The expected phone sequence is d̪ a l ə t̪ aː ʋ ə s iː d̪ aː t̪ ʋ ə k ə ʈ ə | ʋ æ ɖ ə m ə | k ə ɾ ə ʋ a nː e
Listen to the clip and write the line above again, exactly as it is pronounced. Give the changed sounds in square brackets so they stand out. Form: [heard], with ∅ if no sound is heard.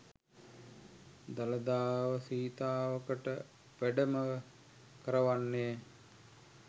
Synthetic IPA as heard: d̪ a l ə [d̪] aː ʋ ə s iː [t̪] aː [∅] ʋ ə k ə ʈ ə | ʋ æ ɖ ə m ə | k ə ɾ ə ʋ a nː e